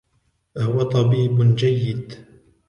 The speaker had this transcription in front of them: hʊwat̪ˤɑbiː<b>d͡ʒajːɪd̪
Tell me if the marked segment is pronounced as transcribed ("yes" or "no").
yes